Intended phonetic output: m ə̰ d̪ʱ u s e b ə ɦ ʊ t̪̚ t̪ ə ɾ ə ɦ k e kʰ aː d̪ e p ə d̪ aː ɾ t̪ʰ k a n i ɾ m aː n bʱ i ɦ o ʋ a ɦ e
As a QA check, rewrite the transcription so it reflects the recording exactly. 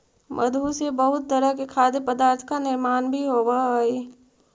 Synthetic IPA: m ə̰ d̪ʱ u s e b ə ɦ ʊ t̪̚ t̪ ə ɾ ə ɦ k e kʰ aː d̪ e p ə d̪ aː ɾ t̪ʰ k a n ɪ ɾ m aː n bʱ i ɦ o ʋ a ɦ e